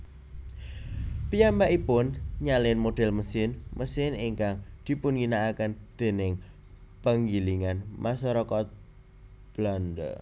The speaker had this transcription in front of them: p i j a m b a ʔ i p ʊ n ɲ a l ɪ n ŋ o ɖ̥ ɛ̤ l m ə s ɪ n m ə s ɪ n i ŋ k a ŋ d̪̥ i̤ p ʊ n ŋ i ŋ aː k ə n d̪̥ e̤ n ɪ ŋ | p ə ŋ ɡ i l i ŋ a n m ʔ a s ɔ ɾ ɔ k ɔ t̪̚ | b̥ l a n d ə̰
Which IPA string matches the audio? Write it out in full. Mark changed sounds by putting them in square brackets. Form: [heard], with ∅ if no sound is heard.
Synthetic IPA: p i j a m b a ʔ i p ʊ n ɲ a l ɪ n [m] o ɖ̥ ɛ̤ l m ə s ɪ n m ə s ɪ n i ŋ k a ŋ d̪̥ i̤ p ʊ n ŋ i [n] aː k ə n d̪̥ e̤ n ɪ ŋ | p ə ŋ ɡ i l i ŋ a n m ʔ a s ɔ ɾ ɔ k ɔ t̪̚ | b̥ l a n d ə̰

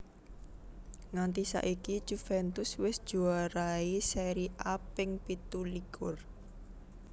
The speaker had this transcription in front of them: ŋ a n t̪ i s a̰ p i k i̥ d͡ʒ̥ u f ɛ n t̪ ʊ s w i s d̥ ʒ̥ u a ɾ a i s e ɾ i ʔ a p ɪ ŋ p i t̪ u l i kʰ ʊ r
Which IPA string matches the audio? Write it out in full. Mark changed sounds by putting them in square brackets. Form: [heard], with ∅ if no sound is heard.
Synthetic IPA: ŋ a n t̪ i s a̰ [ʔ] i k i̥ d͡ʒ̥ u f ɛ n t̪ ʊ s w [ɪ] s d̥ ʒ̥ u a ɾ a i s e ɾ i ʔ a p ɪ ŋ p i t̪ u l i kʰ ʊ r

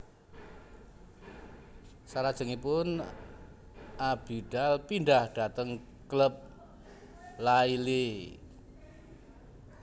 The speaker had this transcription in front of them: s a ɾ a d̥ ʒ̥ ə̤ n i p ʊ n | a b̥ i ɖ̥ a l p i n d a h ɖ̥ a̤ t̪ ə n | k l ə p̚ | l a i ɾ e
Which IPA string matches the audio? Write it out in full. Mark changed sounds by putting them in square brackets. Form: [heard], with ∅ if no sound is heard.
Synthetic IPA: s a ɾ a d̥ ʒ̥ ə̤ [ŋ] i p ʊ n | a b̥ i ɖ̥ a l p i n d a h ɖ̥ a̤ t̪ ə [ŋ] | k l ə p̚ | l a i [l] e

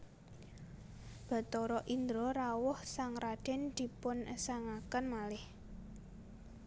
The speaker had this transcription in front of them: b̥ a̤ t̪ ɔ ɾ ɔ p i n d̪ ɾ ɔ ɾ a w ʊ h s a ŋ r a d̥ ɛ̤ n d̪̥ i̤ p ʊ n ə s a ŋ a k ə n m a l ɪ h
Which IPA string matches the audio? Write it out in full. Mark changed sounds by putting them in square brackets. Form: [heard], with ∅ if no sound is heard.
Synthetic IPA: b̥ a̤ t̪ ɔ ɾ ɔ [ʔ] i n d̪ ɾ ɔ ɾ a w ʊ h s a ŋ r a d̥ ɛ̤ n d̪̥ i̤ p ʊ n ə s a ŋ a k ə n m a l ɪ h

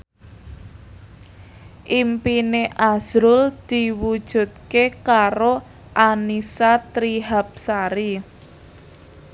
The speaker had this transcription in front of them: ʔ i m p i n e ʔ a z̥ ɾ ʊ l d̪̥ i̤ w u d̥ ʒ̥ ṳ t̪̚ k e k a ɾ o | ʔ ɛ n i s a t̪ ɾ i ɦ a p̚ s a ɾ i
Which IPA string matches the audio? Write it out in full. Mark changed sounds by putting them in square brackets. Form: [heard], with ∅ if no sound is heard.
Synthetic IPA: ʔ i m p i n e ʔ a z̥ ɾ ʊ l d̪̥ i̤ w u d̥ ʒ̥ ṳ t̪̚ k e k a ɾ o | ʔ [a] n i s a t̪ ɾ i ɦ a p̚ s a ɾ i

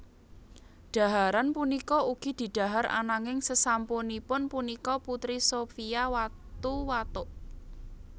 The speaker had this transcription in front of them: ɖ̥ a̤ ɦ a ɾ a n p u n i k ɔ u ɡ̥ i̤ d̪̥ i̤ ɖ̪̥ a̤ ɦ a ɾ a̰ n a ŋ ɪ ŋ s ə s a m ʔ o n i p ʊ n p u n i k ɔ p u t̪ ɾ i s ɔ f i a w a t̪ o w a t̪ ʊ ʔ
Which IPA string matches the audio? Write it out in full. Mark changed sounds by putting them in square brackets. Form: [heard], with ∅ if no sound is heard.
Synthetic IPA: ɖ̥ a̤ ɦ a ɾ a n p u n i k ɔ u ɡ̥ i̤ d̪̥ i̤ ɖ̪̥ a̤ ɦ a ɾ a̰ n a ŋ ɪ ŋ s ə s a m [p] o n i p ʊ n p u n i k ɔ p u t̪ ɾ i s [o] f i a w a t̪ [u] w a t̪ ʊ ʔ

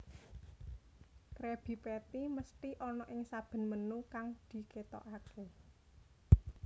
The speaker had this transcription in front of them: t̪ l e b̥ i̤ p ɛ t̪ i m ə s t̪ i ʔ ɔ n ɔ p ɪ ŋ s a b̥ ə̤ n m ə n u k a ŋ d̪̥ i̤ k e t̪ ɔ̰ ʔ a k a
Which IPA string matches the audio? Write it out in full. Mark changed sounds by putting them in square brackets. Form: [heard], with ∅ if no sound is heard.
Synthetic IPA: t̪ [ɾ] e b̥ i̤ p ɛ t̪ i m ə s t̪ i ʔ ɔ n ɔ [ʔ] ɪ ŋ s a b̥ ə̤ n m ə n u k a ŋ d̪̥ i̤ k e t̪ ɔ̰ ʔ a k [e]

